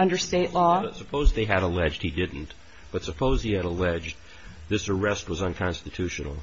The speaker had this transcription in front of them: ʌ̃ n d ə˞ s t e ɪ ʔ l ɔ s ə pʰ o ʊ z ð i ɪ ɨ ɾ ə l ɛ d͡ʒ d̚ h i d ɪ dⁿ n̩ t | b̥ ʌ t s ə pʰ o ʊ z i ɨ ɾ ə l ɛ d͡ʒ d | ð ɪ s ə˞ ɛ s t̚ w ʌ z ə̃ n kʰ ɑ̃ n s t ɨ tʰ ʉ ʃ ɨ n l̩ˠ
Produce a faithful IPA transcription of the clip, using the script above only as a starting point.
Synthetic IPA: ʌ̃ n d ə˞ s t e ɪ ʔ l ɔ s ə pʰ o ʊ z ð e ɪ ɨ ɾ ə l ɛ d͡ʒ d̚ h i d ɪ dⁿ n̩ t | b̥ ʌ t s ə pʰ o ʊ z i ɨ ɾ ə l ɛ d͡ʒ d | ð ɪ s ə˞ ɛ s t̚ w ʌ z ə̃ n kʰ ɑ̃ n s t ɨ tʰ ʉ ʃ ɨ n l̩ˠ